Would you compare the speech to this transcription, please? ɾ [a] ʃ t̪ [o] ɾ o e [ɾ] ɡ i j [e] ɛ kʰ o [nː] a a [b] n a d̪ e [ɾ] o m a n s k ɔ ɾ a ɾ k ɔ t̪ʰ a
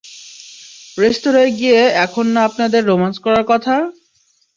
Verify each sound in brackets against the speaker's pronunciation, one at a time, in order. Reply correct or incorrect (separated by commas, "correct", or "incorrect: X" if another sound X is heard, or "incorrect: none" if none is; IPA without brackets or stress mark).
incorrect: e, correct, incorrect: none, correct, correct, incorrect: p, incorrect: ɾː